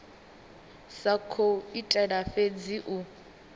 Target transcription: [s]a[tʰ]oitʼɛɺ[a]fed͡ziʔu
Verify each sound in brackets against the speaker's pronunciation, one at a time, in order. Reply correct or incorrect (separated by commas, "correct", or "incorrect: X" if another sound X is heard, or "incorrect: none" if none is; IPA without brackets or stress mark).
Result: correct, incorrect: kʰ, correct